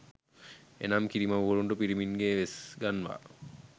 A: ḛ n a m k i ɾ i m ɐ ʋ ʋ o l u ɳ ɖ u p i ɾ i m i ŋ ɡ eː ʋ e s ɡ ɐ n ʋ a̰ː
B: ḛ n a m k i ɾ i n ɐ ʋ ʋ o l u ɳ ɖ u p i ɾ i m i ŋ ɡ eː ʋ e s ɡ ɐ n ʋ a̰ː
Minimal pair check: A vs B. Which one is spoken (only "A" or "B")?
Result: A